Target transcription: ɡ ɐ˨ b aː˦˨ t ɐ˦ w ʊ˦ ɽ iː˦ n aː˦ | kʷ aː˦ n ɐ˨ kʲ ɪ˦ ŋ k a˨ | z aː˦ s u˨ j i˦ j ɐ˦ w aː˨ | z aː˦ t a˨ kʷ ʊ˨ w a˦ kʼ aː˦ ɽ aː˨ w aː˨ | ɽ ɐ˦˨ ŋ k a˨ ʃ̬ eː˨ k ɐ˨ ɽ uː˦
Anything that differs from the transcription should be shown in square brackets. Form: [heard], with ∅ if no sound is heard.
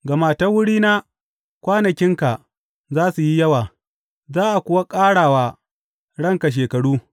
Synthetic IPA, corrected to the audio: ɡ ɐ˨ [m] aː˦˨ t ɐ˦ w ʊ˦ ɽ iː˦ n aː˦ | kʷ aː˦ n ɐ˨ kʲ ɪ˦ ŋ k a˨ | z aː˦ s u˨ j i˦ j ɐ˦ w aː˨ | z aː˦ [ʔ] a˨ kʷ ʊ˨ w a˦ kʼ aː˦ ɽ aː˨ w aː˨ | ɽ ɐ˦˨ ŋ k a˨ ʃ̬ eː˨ k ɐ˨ ɽ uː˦

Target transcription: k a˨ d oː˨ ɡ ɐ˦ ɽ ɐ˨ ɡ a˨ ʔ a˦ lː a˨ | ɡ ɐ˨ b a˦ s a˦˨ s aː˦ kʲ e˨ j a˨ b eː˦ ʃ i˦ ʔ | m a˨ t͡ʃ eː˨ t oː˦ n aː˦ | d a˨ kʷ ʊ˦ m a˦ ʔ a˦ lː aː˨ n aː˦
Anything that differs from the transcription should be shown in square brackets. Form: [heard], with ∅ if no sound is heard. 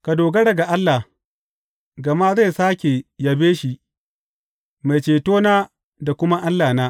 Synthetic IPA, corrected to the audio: k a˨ d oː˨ ɡ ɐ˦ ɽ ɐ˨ ɡ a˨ ʔ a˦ lː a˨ | ɡ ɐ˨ [m] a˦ [z] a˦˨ s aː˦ kʲ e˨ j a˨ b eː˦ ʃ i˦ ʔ | m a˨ t͡ʃ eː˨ t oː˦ n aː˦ | d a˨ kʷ ʊ˦ m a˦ ʔ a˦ lː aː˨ n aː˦

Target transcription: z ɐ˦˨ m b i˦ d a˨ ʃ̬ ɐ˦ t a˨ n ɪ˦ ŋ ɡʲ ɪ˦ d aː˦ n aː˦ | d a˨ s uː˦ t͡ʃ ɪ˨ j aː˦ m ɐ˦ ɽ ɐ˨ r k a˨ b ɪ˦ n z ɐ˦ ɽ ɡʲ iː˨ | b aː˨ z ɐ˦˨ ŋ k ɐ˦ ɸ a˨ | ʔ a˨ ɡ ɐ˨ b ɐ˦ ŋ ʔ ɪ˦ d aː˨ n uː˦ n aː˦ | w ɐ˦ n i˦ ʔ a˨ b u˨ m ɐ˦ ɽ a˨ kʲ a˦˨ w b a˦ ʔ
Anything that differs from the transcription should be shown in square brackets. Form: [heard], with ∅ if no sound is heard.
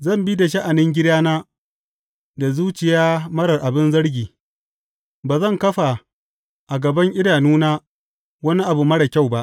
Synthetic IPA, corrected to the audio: z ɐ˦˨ m b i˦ d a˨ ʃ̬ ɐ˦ [ʔ] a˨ n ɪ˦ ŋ ɡʲ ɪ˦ d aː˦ n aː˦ | d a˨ [z] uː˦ t͡ʃ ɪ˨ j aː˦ m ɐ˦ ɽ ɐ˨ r [ʔ] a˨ b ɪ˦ n z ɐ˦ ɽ ɡʲ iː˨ | b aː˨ z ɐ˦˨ ŋ k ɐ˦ ɸ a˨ | ʔ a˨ ɡ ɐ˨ b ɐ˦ ŋ ʔ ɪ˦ d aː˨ n uː˦ n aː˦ | w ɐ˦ n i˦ ʔ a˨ b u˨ m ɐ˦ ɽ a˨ kʲ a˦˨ w b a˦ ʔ

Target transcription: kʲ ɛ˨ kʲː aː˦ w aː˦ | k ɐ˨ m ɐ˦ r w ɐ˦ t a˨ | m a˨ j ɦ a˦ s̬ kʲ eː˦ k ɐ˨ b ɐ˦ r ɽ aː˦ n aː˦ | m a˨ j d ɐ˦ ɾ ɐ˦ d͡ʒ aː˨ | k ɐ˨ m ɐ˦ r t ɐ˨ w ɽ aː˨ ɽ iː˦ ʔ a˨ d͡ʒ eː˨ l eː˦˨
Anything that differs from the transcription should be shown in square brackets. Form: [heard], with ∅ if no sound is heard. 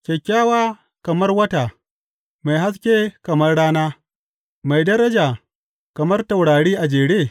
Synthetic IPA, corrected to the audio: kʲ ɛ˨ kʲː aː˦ w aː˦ | k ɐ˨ m ɐ˦ r w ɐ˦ t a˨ | m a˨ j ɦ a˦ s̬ kʲ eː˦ k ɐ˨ [m] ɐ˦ r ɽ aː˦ n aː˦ | m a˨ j d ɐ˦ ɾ ɐ˦ d͡ʒ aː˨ | k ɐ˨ m ɐ˦ r t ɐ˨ w ɽ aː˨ ɽ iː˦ ʔ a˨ d͡ʒ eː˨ [ɽ] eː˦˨

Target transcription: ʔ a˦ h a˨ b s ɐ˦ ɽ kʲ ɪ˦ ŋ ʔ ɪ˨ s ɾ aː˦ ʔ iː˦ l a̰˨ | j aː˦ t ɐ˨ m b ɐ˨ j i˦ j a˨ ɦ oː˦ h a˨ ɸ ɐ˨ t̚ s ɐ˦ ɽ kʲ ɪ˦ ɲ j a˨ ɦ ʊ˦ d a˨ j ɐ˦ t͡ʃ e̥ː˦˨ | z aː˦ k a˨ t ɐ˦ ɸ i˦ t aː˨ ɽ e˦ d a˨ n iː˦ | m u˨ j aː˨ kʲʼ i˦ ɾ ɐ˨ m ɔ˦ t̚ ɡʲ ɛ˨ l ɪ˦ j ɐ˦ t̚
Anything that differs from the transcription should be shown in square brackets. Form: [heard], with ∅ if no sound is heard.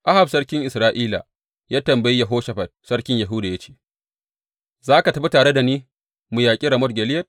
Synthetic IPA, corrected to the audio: ʔ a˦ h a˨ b s ɐ˦ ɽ kʲ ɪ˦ ŋ ʔ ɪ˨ s ɾ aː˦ ʔ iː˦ l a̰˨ | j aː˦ t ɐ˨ m b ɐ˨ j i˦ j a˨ ɦ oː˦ [ʃ] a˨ ɸ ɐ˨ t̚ s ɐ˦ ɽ kʲ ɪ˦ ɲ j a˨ ɦ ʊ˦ d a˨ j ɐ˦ t͡ʃ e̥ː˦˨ | z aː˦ k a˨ t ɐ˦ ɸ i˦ t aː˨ ɽ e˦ d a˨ n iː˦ | m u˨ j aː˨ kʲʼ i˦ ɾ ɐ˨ m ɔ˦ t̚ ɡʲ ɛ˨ l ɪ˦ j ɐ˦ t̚

